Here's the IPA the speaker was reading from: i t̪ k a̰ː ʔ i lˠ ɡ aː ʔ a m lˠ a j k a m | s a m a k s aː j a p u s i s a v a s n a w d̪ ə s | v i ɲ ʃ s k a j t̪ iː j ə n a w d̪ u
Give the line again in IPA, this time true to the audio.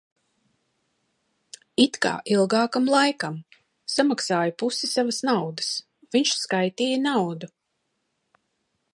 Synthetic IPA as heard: i t̪ k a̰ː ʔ i lˠ ɡ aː k a m lˠ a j k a m | s a m a k s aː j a p u s i s a v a s n a w d̪ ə s | v i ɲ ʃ s k a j t̪ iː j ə n a w d̪ u